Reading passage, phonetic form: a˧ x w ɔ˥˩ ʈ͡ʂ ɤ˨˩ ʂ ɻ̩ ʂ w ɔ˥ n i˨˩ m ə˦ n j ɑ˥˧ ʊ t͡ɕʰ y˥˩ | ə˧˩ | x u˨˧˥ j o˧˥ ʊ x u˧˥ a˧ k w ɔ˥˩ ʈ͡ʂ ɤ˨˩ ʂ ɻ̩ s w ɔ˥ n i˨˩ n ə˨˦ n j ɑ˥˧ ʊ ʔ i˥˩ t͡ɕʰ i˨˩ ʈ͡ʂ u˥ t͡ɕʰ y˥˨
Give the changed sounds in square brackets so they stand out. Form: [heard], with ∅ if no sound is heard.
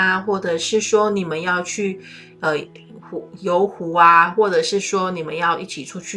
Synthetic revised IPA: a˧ x w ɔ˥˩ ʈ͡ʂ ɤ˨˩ ʂ ɻ̩ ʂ w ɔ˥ n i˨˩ m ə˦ n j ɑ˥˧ ʊ t͡ɕʰ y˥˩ | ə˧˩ | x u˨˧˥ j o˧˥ ʊ x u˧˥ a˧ [x] w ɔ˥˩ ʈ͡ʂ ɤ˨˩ ʂ ɻ̩ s w ɔ˥ n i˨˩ [m] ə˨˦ n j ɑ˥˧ ʊ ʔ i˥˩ t͡ɕʰ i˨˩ [ʈ͡ʂʰ] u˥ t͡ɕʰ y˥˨